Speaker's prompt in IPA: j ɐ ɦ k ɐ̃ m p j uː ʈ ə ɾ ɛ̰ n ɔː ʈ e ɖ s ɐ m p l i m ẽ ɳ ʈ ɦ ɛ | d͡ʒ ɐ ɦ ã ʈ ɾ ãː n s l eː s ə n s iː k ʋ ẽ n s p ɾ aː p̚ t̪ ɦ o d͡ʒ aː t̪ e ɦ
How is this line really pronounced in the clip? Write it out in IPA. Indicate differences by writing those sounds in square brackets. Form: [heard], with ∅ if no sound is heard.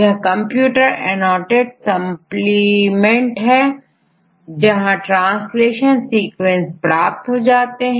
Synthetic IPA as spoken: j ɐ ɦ k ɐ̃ m p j uː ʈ ə ɾ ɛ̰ n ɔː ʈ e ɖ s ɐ m p l i m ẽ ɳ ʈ ɦ ɛ | d͡ʒ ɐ ɦ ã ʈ ɾ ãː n s l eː [ʃ] ə n s iː k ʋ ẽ n s p ɾ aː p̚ t̪ ɦ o d͡ʒ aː t̪ e ɦ